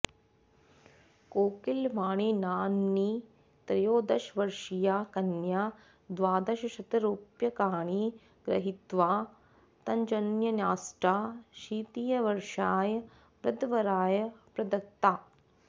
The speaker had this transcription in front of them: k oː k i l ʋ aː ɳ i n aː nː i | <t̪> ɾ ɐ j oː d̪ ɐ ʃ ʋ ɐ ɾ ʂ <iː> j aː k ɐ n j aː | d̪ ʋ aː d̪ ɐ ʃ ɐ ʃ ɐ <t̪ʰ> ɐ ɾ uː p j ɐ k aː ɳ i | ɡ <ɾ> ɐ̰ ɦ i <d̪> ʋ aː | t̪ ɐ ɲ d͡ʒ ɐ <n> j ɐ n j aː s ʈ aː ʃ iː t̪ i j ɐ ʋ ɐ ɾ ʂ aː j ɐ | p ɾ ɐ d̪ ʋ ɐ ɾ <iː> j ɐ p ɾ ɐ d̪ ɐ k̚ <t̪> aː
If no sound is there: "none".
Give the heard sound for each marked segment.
t̪, i, t̪, ɾ, t̪, n, aː, t̪

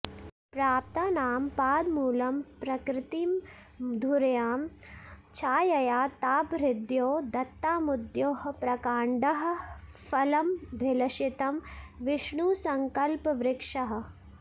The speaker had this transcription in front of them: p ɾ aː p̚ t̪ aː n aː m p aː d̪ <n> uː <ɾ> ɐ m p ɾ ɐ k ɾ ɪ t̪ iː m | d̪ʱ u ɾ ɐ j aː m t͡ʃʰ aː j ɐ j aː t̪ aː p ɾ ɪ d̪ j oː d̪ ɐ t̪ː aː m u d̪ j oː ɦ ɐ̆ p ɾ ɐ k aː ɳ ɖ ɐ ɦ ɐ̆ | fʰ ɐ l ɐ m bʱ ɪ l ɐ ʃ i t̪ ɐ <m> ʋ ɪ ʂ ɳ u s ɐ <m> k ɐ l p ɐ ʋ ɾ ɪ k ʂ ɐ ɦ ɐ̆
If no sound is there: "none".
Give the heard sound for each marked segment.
m, l, m, ŋ

